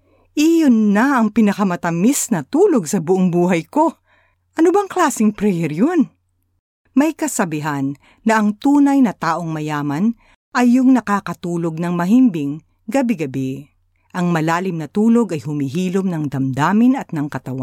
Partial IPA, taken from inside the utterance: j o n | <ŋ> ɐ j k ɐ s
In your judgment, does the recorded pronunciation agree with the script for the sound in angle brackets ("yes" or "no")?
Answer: no